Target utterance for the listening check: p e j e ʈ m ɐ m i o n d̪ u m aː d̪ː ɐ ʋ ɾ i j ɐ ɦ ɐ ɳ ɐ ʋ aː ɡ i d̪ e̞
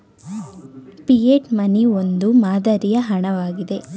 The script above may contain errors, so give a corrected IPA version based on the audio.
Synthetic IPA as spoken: p i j e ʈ m ɐ n i o n d̪ u m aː d̪ ɐ ɾ i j ɐ ɦ ɐ ɳ ɐ ʋ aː ɡ i d̪ e̞